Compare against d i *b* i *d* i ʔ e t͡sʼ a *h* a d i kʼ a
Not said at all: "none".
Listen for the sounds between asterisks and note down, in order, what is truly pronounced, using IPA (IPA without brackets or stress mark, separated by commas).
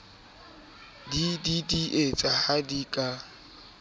d, d, h